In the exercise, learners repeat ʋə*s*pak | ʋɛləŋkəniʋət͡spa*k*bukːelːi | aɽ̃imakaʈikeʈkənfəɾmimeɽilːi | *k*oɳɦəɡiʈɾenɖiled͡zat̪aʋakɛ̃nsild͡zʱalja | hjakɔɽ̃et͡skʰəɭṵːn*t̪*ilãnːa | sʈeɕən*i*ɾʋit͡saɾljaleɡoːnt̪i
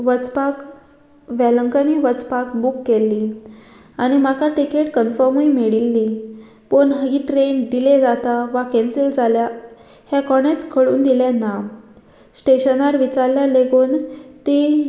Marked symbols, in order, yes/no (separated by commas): no, yes, no, no, no